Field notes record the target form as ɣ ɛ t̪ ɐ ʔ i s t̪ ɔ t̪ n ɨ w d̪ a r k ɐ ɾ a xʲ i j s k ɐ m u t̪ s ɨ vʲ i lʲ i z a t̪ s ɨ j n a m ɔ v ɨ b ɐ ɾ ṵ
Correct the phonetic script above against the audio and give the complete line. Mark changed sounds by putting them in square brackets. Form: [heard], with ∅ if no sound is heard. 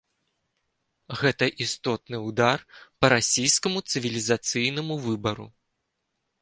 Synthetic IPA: ɣ ɛ t̪ ɐ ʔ i s t̪ ɔ t̪ n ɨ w d̪ a r [p] ɐ ɾ a [sʲ] i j s k ɐ m u t̪ s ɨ vʲ i lʲ i z a t̪ s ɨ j n [ɐ] m [u] v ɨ b ɐ ɾ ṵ